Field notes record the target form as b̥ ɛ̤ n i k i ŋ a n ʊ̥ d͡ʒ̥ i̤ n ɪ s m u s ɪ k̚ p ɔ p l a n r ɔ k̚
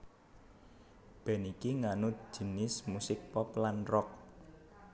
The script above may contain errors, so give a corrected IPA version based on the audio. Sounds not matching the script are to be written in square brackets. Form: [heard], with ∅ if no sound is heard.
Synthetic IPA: b̥ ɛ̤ n i k i ŋ a n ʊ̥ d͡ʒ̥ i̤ n ɪ s m u s ɪ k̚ p ɔ p l a n r ɔ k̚